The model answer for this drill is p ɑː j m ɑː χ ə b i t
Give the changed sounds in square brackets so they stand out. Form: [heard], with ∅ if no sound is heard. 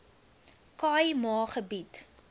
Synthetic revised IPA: [k] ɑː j m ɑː χ ə b i t

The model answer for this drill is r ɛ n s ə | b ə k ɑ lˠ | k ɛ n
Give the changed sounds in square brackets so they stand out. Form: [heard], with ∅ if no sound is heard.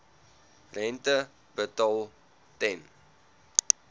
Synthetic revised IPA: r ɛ n [t] ə | b ə [t] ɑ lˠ | [t] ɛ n

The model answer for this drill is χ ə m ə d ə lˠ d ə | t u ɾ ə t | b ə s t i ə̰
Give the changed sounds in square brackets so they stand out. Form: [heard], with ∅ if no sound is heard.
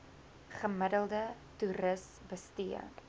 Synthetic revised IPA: χ ə m ə d ə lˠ d ə | t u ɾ ə [s] | b ə s t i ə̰

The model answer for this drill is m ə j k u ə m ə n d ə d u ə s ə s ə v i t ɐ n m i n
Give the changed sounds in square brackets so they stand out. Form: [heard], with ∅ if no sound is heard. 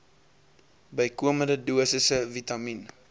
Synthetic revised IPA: [b] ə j k u ə m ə n d ə d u ə s ə s ə v i t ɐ [∅] m i n

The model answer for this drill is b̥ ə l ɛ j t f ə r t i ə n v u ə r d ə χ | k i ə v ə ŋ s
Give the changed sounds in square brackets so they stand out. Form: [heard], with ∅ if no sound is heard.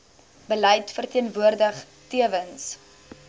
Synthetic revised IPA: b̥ ə l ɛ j t f ə r t i ə n v u ə r d ə χ | [t] i ə v ə [n] s

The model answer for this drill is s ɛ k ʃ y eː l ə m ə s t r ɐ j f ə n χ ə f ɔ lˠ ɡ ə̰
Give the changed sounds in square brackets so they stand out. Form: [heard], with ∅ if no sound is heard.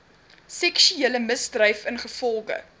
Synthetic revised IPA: s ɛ k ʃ y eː l ə m ə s [d] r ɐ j f ə n χ ə f ɔ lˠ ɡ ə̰

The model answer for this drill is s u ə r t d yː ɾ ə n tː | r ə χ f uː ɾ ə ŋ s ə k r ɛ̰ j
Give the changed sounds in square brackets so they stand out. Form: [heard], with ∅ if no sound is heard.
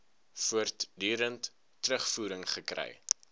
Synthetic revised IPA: [f] u ə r t d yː ɾ ə n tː | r ə χ f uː ɾ ə ŋ [χ] ə k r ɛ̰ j

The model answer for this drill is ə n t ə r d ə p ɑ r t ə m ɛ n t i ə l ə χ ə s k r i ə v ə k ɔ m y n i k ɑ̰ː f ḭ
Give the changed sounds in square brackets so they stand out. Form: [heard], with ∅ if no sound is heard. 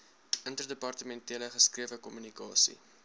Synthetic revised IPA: ə n t ə r d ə p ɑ r t ə m ɛ n t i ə l ə χ ə s k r i ə v ə k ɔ m y n i k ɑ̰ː [s] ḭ

